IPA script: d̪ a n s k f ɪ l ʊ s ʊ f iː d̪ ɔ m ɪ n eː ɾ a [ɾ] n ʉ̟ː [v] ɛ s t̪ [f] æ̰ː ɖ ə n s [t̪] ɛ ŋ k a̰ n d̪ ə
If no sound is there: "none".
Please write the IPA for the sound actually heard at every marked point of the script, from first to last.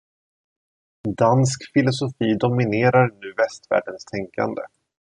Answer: ɾ, v, v, t̪ʰ

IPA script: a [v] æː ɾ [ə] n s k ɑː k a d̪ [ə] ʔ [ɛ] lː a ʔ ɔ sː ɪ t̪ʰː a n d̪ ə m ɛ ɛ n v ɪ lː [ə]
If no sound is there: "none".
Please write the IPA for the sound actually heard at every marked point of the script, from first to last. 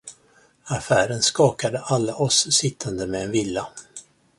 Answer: f, ə, ə, a, a

